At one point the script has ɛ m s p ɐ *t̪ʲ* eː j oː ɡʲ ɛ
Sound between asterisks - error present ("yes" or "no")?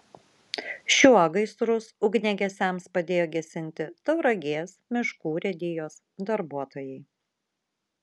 yes